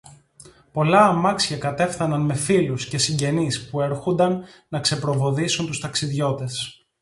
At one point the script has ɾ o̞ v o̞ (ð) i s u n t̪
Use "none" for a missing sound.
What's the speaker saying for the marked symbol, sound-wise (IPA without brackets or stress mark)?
ð